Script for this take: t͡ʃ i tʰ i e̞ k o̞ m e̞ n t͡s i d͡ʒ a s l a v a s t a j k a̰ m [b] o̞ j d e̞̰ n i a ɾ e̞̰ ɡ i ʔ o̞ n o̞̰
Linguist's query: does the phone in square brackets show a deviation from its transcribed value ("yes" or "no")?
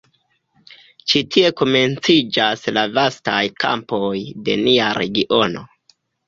yes